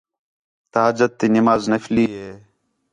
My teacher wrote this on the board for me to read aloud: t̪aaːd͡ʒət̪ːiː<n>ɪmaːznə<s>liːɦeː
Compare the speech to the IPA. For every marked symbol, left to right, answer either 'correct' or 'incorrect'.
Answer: correct, incorrect

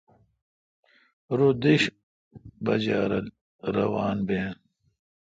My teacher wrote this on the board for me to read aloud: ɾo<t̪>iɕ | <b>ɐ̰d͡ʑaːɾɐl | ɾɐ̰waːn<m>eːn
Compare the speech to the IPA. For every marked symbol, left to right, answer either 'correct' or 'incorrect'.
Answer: incorrect, correct, incorrect

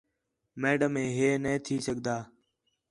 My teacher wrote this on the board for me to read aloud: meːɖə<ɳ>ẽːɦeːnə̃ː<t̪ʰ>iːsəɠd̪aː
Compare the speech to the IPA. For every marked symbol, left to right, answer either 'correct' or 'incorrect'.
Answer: incorrect, correct

